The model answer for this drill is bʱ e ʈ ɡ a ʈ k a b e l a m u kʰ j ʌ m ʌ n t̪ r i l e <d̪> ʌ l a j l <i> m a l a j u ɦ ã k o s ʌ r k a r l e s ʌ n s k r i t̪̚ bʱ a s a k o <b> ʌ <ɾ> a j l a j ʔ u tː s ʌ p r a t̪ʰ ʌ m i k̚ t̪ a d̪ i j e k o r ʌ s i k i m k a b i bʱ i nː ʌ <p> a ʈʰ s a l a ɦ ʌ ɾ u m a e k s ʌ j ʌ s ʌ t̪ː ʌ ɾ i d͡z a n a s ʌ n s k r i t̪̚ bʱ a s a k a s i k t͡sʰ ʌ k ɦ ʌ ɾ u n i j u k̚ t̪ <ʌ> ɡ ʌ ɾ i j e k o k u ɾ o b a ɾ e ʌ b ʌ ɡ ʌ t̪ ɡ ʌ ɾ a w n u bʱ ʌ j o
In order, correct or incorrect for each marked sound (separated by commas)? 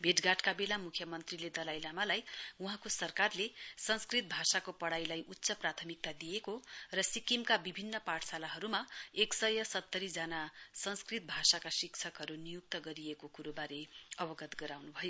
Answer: correct, incorrect, incorrect, incorrect, correct, correct